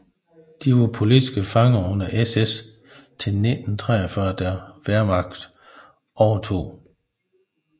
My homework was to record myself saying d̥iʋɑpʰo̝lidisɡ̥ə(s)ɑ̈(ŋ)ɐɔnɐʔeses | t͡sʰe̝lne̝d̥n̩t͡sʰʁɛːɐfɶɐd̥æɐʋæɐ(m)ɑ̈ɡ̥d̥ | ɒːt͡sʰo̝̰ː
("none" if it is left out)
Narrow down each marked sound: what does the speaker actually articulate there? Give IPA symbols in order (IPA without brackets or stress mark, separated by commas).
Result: f, ŋ, m